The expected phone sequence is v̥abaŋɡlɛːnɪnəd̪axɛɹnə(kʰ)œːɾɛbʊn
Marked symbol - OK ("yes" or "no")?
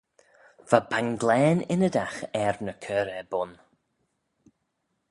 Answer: yes